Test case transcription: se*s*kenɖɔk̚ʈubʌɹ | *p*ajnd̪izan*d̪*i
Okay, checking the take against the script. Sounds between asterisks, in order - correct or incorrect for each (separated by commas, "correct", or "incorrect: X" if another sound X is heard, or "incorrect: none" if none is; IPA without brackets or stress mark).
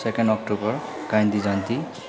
incorrect: none, incorrect: k, incorrect: t̪